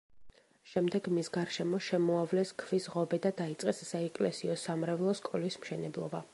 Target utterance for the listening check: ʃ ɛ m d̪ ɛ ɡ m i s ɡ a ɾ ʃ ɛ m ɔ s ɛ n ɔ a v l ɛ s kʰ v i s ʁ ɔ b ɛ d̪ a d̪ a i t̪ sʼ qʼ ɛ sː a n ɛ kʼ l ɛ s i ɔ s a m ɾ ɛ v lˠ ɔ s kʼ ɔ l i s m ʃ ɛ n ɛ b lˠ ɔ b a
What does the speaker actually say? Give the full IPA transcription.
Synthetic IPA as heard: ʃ ɛ m d̪ ɛ ɡ m i s ɡ a ɾ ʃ ɛ m ɔ ʃ ɛ m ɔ a v l ɛ s kʰ v i s ʁ ɔ b ɛ d̪ a d̪ a i t̪ sʼ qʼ ɛ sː a ɛ kʼ l ɛ s i ɔ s a m ɾ ɛ v lˠ ɔ s kʼ ɔ l i s m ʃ ɛ n ɛ b lˠ ɔ b a